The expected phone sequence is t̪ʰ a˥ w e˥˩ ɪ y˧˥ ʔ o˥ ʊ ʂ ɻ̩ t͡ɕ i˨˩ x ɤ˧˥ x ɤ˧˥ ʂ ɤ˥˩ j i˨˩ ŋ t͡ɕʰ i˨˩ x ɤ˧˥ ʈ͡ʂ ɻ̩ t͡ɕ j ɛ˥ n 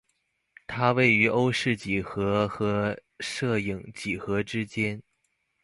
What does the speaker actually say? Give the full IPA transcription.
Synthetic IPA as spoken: t̪ʰ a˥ w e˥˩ ɪ y˧˥ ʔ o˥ ʊ ʂ ɻ̩ t͡ɕ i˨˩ x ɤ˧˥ x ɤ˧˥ ʂ ɤ˥˩ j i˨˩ ŋ t͡ɕ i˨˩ x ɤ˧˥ ʈ͡ʂ ɻ̩ t͡ɕ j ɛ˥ n